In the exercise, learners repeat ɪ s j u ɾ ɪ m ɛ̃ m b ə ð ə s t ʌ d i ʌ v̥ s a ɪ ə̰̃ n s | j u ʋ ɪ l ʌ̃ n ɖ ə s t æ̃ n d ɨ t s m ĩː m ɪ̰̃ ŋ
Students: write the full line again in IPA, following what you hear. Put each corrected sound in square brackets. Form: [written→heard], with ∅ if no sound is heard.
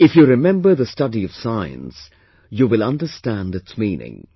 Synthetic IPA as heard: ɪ [s→f] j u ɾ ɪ m ɛ̃ m b ə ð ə s t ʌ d i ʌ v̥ s a ɪ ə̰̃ n s | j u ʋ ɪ l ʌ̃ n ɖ ə s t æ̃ n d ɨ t s m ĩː [m→n] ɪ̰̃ ŋ